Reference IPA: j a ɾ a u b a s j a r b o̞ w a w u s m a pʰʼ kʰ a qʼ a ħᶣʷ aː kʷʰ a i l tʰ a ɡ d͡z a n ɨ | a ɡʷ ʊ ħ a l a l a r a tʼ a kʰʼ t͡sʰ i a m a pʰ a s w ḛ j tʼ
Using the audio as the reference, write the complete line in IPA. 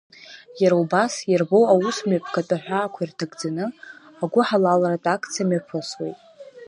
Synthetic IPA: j a ɾ a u b a s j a r b o̞ w a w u s m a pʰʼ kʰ a tʼ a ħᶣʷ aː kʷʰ a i r tʰ a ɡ d͡z a n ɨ | a ɡʷ ʊ ħ a l a l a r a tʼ a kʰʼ t͡sʰ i a m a pʰ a s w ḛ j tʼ